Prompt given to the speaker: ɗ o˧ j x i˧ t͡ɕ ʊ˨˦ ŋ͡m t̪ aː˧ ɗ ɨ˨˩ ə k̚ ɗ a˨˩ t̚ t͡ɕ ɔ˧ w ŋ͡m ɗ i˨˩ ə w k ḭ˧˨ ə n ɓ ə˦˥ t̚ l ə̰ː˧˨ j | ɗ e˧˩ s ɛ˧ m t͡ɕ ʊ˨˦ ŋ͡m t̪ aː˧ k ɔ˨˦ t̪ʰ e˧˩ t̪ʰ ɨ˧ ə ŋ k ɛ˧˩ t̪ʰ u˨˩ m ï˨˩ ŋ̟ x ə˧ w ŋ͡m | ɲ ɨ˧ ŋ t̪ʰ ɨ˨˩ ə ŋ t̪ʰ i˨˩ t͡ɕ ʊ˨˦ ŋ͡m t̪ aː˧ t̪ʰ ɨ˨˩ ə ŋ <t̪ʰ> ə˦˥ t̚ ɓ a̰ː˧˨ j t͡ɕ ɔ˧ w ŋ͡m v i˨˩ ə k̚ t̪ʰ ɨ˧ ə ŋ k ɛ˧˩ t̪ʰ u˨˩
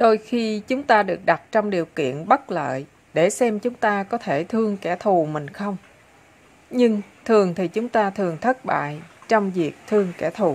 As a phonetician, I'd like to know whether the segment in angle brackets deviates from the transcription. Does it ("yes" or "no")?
no